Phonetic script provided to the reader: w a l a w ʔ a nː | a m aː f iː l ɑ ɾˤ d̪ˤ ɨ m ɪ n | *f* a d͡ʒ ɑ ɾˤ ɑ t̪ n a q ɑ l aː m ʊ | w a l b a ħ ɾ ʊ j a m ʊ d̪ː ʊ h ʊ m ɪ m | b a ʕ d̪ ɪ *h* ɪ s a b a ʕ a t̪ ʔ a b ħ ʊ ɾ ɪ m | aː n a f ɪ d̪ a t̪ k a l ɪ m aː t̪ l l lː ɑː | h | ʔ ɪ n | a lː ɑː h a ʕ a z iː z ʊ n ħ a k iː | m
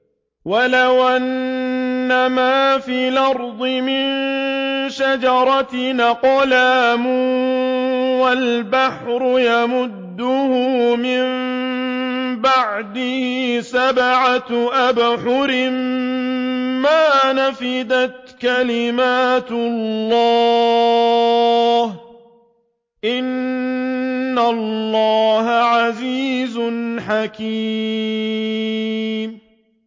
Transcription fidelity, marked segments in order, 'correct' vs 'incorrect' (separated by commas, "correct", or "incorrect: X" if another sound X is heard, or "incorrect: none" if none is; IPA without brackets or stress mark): incorrect: ʃ, correct